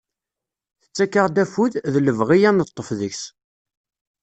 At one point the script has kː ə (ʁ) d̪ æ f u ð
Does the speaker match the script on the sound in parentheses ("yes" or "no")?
yes